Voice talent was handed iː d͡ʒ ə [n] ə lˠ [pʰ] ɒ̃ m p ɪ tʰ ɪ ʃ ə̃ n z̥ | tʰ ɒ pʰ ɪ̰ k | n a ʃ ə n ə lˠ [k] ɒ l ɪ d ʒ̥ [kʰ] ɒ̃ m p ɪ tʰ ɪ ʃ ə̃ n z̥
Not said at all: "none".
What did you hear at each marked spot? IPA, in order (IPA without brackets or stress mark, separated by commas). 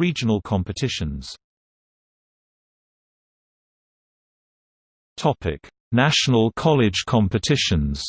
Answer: n, kʰ, kʰ, kʰ